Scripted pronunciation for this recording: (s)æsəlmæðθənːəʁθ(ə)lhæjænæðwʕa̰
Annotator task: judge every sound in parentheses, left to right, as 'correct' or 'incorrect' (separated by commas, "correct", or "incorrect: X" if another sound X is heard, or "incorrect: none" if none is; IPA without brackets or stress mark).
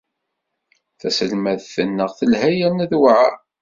incorrect: θ, correct